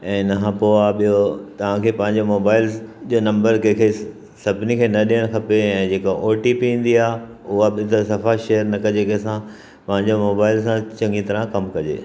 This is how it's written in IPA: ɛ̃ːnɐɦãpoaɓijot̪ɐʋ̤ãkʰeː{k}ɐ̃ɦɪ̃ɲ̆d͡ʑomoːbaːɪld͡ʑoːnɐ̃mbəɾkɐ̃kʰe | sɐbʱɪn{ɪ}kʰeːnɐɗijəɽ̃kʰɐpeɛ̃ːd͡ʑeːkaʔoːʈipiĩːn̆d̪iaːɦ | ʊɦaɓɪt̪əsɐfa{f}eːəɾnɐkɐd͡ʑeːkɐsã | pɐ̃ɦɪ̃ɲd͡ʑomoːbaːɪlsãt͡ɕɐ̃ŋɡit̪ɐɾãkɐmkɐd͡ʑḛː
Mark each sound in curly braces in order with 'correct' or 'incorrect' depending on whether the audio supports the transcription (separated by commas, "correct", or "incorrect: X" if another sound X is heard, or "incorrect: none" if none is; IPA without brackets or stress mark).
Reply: incorrect: p, incorrect: i, incorrect: ʃ